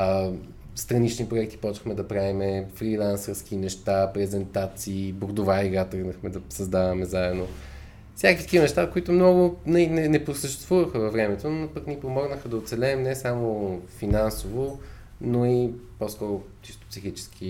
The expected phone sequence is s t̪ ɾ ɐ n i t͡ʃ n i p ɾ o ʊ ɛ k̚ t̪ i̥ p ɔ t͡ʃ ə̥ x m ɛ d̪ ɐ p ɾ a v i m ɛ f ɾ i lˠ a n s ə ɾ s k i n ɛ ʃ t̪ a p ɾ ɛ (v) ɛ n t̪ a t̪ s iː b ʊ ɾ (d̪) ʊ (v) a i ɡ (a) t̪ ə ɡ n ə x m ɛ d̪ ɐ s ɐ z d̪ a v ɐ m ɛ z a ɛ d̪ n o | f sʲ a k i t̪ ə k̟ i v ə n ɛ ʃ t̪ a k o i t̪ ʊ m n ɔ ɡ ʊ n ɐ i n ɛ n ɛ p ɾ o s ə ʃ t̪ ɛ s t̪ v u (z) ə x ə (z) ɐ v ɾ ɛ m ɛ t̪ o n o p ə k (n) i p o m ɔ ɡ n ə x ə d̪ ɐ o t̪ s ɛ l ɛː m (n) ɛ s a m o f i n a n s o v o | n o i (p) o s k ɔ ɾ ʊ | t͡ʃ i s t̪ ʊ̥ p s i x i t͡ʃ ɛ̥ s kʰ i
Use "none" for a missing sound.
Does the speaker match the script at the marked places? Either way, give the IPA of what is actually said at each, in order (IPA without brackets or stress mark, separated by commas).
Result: z, d̪, v, a, v, v, n, n, p